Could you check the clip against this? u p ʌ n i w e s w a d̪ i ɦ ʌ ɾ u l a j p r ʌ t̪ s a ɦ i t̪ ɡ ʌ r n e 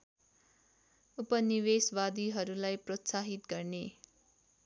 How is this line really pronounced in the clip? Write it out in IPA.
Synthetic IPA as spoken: u p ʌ n i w e s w a d̪ i ɦ ʌ ɾ u l a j p r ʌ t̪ s a ɦ i t̪ ɡ ʌ r n e